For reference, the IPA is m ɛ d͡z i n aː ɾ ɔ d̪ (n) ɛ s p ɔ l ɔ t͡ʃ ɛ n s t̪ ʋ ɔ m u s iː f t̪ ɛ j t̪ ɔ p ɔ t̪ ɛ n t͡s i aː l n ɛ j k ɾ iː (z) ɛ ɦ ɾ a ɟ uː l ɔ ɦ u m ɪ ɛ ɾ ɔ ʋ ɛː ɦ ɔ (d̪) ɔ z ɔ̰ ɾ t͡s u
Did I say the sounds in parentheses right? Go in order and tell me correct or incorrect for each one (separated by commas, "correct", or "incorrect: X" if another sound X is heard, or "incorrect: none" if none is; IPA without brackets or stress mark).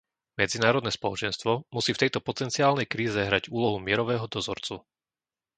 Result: correct, correct, correct